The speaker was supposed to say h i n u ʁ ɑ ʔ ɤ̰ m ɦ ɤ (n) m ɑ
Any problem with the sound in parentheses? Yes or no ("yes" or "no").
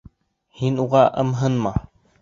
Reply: no